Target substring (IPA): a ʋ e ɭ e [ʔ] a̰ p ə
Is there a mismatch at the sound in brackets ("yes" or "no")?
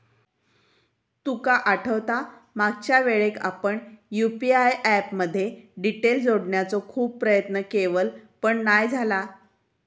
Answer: yes